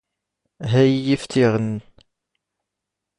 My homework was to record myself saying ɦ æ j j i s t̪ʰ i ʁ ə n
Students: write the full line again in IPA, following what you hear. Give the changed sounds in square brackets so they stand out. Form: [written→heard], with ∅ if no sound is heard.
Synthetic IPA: ɦ æ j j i [s→f] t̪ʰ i ʁ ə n